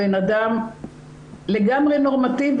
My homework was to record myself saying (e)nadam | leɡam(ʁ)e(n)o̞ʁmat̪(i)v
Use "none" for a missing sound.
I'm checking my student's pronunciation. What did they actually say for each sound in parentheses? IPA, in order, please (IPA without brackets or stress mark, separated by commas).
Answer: e, ʁ, n, i